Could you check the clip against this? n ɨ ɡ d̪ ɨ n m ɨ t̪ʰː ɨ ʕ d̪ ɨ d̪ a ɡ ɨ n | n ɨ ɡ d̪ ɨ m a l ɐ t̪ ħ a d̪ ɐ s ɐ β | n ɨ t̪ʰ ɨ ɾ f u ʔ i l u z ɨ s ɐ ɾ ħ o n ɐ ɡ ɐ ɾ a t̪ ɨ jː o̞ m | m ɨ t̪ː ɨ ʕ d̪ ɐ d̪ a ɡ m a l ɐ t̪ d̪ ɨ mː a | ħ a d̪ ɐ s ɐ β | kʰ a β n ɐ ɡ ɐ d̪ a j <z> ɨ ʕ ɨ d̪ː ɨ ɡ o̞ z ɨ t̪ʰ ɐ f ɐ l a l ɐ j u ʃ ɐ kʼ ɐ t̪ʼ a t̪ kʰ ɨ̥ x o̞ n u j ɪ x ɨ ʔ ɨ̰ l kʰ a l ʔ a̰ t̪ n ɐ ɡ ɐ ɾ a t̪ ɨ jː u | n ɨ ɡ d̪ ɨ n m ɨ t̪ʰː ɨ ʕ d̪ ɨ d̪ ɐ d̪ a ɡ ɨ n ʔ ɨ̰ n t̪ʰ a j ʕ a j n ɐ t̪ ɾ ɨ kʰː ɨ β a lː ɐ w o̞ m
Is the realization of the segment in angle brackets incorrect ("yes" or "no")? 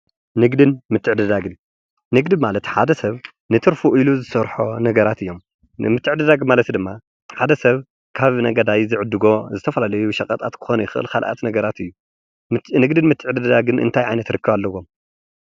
no